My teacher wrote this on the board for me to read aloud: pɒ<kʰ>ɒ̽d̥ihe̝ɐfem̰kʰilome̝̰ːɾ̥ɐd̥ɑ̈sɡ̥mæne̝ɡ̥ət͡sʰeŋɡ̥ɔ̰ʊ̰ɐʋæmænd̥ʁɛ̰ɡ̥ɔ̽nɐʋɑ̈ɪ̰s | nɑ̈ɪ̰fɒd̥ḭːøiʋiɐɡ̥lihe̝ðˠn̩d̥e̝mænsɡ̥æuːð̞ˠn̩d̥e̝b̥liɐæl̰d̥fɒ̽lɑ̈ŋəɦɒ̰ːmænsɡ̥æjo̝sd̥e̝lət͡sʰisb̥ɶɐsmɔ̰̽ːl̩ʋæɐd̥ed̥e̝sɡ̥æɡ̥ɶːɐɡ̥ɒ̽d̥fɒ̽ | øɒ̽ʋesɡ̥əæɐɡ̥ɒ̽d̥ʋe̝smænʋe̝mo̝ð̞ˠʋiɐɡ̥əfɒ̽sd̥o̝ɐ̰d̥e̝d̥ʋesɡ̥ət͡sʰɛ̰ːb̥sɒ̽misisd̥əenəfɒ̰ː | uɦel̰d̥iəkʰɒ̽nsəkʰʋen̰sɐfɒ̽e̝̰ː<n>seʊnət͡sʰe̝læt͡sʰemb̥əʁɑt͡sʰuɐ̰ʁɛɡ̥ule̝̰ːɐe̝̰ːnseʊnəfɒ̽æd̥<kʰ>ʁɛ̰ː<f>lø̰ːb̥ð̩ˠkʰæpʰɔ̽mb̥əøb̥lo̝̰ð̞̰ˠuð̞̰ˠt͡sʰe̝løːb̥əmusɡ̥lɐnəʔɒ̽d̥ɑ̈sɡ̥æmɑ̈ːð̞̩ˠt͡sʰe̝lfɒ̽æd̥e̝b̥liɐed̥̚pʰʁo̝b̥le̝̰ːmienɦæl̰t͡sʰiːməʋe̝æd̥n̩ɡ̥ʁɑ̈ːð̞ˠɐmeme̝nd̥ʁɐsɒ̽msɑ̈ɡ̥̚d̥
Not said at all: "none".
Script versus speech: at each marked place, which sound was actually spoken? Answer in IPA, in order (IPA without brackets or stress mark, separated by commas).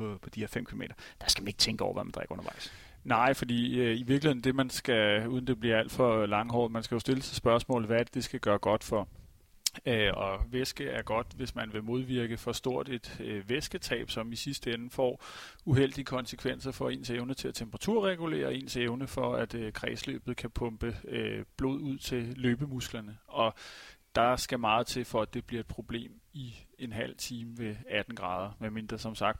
pʰ, n, kʰ, s